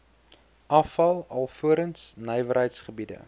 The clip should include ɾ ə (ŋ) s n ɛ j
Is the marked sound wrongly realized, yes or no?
yes